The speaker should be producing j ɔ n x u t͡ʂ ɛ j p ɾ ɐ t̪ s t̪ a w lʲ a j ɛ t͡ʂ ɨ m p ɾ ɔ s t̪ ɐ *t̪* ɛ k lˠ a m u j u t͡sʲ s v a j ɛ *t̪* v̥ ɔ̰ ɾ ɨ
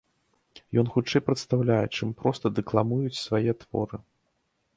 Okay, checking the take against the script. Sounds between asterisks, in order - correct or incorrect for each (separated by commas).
incorrect, correct